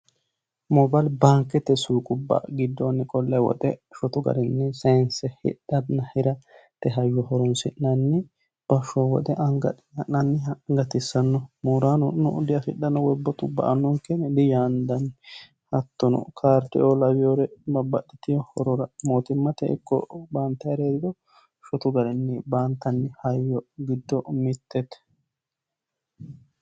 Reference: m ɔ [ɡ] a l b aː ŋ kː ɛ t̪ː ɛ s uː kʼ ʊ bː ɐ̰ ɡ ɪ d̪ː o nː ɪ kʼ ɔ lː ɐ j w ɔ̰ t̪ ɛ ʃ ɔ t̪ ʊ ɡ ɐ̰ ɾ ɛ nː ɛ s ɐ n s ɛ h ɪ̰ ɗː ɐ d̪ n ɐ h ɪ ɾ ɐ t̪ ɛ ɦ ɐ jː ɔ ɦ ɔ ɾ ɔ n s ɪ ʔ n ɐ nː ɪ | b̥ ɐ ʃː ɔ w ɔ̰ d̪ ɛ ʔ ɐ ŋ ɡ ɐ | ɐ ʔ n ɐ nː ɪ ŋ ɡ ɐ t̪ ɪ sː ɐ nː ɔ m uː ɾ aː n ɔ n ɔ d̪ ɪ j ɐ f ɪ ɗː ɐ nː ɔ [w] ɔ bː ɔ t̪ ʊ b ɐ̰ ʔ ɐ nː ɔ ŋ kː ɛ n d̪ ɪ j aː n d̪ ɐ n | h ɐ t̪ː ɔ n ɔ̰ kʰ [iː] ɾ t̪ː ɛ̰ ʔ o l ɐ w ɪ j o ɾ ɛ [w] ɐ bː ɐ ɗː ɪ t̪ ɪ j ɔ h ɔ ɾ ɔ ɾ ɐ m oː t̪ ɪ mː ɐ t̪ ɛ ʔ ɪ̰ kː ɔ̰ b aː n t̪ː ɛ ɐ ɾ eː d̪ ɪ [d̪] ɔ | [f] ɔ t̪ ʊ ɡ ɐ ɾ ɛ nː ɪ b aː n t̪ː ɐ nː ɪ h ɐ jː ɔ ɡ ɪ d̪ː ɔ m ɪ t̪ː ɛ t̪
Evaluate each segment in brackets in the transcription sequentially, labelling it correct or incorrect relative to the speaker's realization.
incorrect, correct, incorrect, incorrect, correct, incorrect

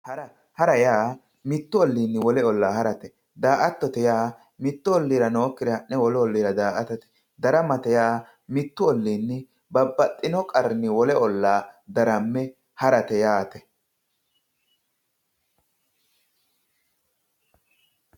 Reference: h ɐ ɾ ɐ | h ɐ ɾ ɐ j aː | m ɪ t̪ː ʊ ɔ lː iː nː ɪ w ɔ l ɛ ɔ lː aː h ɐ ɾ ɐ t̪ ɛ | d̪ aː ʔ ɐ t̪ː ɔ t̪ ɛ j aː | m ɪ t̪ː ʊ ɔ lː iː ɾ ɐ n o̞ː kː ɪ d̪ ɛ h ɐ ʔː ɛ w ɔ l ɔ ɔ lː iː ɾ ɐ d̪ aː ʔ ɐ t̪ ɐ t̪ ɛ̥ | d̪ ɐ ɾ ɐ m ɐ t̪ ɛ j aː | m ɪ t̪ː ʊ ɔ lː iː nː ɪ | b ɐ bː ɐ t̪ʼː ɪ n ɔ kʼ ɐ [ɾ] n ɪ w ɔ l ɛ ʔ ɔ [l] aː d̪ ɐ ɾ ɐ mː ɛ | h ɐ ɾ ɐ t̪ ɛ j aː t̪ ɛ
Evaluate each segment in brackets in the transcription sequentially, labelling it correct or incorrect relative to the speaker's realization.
correct, incorrect

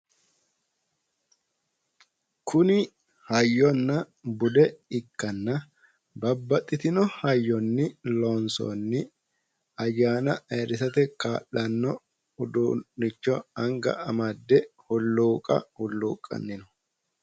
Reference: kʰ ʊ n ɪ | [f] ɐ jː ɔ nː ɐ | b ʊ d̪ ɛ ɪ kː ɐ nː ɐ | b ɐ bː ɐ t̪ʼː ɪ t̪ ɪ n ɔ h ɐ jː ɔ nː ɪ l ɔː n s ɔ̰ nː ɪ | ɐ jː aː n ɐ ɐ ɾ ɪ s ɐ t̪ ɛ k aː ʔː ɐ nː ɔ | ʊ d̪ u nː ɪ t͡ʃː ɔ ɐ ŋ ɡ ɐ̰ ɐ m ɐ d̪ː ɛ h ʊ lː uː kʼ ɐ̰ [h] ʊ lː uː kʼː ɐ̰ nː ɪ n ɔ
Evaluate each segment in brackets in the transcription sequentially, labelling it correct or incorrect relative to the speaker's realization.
incorrect, correct

